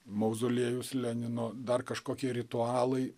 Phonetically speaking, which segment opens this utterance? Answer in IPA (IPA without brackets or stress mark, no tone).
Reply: m